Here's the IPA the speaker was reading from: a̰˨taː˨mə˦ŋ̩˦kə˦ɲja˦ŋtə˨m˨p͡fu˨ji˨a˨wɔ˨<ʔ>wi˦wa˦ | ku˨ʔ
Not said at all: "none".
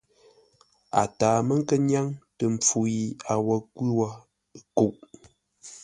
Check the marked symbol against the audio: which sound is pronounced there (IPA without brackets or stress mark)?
k